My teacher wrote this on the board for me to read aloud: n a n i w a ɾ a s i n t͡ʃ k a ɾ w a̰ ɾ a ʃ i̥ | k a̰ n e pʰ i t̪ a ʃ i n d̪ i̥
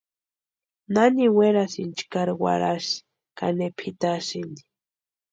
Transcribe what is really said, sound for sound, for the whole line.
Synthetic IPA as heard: n a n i w e ɾ a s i n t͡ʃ k a ɾ w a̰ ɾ a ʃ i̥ | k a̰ n e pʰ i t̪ a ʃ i n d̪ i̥